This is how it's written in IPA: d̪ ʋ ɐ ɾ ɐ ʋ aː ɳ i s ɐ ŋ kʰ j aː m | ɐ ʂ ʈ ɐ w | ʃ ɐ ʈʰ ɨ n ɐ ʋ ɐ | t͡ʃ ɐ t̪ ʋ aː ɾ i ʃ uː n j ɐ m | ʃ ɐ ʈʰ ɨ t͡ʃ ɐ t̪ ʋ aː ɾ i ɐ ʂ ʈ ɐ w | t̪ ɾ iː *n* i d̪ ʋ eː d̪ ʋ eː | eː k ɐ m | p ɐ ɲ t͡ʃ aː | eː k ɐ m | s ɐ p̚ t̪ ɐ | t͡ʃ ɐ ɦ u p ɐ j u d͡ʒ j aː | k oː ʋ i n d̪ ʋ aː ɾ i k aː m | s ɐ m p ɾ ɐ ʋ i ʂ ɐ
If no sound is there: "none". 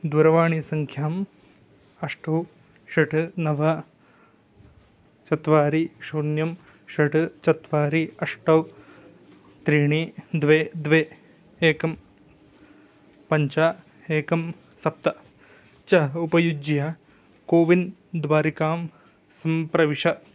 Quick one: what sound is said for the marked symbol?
ɳ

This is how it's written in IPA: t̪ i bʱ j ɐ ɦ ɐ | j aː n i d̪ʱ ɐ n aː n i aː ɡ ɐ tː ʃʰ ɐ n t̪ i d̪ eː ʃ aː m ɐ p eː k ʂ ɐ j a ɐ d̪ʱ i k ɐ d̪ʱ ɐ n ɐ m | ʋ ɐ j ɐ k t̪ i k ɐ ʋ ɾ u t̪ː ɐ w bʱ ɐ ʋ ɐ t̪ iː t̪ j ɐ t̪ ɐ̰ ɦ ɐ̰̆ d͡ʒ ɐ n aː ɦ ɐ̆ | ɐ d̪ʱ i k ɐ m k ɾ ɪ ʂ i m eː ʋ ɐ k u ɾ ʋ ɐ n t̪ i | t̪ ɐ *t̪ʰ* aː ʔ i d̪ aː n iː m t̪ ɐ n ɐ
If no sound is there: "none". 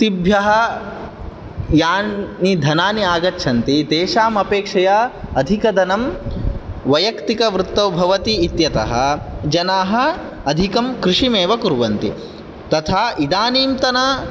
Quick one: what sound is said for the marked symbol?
t̪ʰ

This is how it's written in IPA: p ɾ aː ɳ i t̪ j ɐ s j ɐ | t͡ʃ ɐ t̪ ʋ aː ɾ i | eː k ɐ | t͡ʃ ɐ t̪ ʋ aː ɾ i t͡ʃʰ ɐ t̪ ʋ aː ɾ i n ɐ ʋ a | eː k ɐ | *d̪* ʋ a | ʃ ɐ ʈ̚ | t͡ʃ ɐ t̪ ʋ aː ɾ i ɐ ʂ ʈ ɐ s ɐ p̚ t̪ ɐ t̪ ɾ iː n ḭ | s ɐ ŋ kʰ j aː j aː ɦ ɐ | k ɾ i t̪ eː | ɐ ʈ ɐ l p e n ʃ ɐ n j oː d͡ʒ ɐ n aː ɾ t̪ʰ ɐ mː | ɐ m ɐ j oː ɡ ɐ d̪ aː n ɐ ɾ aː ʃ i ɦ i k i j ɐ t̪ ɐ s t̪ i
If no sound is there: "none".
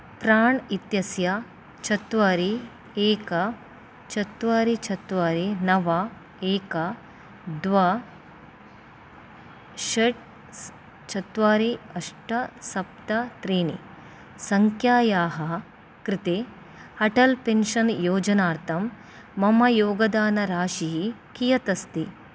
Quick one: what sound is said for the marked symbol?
d̪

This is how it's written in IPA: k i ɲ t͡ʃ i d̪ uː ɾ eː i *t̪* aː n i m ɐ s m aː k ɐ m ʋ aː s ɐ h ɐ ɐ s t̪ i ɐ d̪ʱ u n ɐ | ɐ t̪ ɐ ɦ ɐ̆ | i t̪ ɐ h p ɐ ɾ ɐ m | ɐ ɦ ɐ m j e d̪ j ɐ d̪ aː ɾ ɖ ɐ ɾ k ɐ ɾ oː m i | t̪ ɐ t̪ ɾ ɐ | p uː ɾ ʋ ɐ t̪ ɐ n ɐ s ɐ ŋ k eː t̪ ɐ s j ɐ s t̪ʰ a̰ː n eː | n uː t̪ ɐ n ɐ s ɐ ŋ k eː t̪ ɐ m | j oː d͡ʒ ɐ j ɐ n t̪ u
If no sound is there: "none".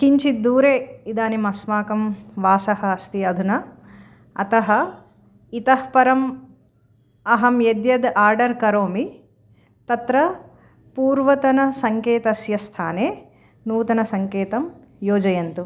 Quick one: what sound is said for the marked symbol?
d̪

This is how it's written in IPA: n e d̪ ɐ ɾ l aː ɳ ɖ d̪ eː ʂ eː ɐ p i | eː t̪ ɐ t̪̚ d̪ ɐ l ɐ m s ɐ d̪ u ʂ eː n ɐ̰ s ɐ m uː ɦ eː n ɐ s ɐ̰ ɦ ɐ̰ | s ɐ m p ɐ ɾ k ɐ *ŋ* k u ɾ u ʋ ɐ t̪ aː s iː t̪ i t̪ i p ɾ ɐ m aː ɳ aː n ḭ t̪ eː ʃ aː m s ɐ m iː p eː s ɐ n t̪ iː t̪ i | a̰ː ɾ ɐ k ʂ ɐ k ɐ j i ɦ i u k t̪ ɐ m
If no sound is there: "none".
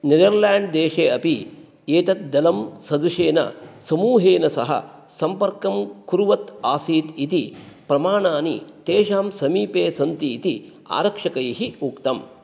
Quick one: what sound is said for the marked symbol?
m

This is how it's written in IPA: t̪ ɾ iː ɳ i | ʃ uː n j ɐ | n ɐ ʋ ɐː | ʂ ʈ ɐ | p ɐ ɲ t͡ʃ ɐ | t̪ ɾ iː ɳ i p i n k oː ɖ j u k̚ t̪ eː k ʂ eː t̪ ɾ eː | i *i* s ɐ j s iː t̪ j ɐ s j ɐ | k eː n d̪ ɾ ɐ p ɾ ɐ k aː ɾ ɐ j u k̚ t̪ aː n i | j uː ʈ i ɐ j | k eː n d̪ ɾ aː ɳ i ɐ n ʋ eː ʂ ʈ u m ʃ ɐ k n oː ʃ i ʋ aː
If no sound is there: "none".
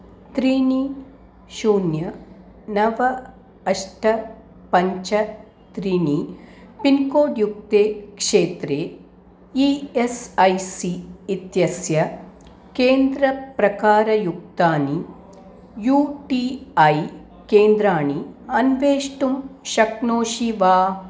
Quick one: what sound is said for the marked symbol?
e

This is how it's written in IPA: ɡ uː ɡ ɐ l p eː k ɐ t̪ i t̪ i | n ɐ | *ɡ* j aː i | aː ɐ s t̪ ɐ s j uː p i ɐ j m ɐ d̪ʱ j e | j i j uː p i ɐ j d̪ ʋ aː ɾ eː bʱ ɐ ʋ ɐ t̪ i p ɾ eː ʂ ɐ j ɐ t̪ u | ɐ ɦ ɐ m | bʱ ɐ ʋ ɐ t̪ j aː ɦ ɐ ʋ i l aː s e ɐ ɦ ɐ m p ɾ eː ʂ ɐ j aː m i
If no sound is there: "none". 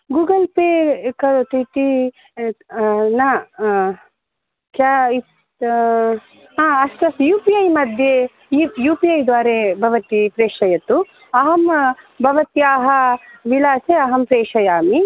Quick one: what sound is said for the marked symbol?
k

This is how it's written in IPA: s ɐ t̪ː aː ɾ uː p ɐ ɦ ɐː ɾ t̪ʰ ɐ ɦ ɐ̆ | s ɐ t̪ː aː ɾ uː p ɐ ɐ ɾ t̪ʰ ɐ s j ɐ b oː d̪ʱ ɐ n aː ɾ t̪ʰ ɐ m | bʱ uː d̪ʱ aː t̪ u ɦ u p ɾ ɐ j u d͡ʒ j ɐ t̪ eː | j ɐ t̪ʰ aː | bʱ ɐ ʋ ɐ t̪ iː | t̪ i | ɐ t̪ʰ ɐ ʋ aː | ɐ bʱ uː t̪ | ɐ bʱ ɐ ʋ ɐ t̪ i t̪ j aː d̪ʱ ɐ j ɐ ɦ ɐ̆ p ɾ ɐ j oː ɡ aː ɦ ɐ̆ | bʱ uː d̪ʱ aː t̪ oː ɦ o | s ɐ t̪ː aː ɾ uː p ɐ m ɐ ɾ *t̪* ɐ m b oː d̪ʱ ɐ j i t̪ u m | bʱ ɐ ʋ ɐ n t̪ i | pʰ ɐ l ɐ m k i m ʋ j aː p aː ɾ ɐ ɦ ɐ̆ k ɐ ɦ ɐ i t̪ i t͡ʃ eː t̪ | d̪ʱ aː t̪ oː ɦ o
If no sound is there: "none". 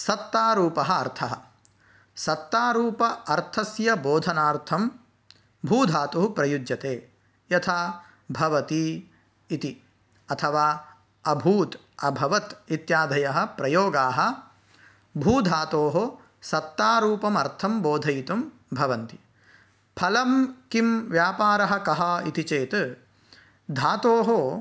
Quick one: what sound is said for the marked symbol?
t̪ʰ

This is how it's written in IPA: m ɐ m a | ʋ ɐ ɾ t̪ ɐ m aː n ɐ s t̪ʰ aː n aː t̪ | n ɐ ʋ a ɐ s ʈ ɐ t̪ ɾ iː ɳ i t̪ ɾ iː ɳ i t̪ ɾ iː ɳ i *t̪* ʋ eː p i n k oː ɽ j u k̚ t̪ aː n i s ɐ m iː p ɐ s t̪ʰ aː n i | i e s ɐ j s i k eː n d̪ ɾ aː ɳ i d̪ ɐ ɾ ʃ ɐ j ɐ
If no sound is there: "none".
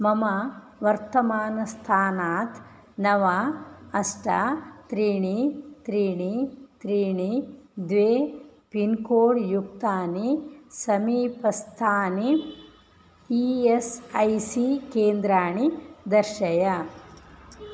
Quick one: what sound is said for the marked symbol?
d̪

